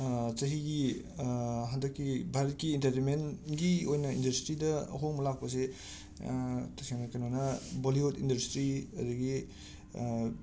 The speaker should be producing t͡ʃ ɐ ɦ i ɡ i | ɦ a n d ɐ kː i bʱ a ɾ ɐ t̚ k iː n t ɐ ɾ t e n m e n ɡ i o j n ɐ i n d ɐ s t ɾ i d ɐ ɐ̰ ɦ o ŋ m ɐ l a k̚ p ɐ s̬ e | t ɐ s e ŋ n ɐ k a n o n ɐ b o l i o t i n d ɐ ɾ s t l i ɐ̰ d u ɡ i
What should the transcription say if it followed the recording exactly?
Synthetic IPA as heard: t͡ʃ ɐ ɦ i ɡ i | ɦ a n d ɐ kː i bʱ a ɾ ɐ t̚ k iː n t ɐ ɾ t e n m e n ɡ i o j n ɐ i n d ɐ s t ɾ i d ɐ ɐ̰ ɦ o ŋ m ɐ l a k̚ p ɐ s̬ e | t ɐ s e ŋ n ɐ k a n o n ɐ b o l i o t i n d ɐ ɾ s t ɾ i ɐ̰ d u ɡ i